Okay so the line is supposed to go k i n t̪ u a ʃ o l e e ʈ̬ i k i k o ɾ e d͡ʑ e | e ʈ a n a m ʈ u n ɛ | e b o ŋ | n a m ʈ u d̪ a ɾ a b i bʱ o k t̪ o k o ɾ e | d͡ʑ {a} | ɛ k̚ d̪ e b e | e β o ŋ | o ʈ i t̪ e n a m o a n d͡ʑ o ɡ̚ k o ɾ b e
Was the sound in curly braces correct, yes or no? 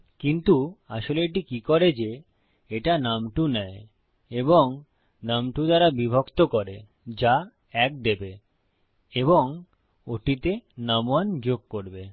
yes